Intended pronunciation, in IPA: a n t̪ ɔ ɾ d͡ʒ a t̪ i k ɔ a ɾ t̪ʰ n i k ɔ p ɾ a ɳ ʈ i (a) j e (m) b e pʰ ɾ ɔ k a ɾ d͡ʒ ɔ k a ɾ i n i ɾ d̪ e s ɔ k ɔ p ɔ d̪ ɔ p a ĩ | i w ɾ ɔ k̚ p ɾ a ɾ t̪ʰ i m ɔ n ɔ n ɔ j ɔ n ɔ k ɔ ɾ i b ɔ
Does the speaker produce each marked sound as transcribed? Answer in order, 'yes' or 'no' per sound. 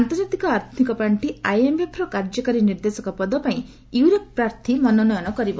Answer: yes, yes

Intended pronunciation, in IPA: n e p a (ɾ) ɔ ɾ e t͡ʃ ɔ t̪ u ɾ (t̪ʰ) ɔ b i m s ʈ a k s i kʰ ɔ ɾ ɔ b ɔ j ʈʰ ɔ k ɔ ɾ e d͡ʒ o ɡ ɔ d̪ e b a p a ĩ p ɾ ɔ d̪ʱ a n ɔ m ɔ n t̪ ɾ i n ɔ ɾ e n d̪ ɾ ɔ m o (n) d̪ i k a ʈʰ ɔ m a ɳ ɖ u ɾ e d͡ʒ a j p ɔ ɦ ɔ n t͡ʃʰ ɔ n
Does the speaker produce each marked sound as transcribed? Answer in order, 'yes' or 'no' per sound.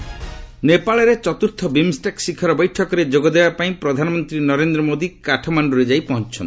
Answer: no, yes, no

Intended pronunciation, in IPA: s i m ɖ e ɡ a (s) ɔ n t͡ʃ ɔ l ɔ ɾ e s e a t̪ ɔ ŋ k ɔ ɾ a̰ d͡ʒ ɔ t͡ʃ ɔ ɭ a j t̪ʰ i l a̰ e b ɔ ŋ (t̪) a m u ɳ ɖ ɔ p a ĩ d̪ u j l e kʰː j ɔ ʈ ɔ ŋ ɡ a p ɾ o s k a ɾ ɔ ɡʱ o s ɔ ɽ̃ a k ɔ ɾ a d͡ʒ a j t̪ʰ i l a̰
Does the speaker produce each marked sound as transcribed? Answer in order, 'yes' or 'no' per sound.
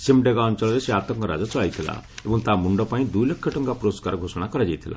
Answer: no, yes

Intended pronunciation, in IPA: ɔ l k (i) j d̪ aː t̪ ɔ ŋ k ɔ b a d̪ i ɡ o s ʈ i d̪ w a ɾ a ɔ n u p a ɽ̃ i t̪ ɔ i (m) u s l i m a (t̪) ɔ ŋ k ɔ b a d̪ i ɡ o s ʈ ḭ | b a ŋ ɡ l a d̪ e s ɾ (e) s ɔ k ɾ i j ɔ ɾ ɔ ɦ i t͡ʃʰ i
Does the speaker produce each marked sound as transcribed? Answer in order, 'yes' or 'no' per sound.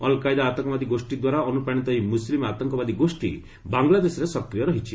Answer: no, yes, yes, yes

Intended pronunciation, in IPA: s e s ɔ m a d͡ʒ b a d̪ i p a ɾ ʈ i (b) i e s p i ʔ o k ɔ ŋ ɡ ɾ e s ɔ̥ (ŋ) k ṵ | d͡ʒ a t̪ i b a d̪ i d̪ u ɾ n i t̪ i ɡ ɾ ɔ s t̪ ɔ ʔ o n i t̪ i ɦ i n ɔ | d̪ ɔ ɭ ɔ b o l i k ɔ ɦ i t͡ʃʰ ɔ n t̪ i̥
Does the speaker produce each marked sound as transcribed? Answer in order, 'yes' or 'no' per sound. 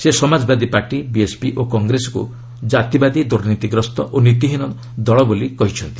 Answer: yes, no

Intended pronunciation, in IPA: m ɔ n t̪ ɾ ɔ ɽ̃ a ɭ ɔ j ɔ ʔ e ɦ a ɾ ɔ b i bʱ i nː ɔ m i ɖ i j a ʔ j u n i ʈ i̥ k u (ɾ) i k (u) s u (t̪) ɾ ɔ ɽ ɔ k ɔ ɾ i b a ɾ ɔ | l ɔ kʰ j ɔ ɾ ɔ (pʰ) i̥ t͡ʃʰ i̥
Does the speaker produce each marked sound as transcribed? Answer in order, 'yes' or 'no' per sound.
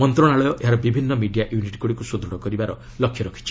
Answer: no, yes, no, no

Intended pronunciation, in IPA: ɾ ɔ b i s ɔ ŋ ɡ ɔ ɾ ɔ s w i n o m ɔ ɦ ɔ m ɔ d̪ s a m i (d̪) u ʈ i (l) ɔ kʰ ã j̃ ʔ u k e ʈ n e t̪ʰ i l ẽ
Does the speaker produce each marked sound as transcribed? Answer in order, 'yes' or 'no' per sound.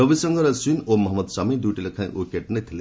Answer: yes, yes

